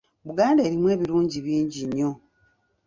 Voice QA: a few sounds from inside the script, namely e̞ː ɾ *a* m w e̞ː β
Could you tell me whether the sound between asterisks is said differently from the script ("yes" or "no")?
yes